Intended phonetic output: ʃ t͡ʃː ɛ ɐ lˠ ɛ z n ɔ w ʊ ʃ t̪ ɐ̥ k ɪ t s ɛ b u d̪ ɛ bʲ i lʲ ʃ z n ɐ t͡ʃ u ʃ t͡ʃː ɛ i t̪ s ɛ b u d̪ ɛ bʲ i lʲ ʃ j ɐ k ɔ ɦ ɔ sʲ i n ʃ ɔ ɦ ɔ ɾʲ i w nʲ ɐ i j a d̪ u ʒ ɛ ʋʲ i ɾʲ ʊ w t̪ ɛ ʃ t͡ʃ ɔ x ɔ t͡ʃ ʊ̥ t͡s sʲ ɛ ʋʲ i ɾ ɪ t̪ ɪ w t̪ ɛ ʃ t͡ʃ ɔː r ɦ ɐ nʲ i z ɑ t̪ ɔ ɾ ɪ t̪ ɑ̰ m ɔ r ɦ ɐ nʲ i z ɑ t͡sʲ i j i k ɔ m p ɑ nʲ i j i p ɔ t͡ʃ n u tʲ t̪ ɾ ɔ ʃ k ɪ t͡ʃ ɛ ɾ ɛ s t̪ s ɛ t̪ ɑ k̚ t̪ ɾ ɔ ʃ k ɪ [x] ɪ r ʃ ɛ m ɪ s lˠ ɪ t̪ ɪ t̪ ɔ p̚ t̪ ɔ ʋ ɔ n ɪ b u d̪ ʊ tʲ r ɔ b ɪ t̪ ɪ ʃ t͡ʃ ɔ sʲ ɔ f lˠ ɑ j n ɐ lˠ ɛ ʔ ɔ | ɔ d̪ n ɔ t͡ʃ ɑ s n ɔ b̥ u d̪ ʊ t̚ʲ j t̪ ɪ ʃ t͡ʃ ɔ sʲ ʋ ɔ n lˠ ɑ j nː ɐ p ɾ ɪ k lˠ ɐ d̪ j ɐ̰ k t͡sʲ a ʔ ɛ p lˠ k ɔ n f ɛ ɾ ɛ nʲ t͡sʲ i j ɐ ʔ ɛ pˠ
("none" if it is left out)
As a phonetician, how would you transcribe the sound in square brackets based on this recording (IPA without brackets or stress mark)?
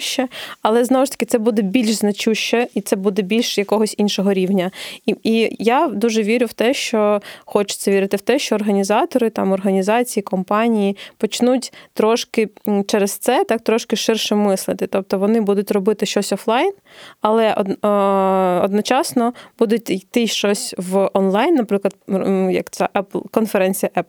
ʃ